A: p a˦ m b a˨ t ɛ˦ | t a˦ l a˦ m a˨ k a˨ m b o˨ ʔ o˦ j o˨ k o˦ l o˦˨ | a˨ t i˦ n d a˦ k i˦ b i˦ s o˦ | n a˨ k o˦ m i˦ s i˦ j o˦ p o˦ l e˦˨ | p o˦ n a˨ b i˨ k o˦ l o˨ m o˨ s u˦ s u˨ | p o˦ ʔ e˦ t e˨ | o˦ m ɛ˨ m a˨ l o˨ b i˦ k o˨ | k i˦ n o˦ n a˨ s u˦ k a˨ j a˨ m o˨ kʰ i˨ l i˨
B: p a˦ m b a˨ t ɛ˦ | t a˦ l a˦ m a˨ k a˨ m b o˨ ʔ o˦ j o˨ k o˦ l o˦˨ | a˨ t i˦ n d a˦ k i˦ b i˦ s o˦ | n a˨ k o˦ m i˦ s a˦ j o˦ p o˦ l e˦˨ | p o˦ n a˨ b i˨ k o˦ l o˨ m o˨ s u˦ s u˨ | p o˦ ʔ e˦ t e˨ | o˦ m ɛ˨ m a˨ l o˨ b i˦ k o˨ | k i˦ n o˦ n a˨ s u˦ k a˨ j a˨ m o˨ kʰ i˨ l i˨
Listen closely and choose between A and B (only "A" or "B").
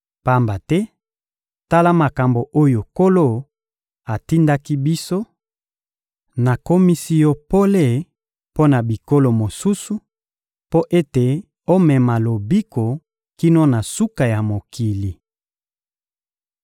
A